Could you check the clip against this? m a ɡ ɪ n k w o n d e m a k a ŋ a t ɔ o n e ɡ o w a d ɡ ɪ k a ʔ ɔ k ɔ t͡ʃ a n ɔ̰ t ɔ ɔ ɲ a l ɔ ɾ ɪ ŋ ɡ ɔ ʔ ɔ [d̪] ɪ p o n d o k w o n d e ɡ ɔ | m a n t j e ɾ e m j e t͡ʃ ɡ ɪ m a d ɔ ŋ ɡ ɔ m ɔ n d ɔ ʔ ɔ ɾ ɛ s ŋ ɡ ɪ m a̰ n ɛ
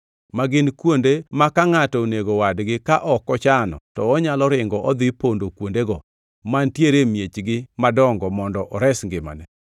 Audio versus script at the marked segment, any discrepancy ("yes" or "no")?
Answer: no